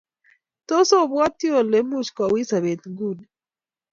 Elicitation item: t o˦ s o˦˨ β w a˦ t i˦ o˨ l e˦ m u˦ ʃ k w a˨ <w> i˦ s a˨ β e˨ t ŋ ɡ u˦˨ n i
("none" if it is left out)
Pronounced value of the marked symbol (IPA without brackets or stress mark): w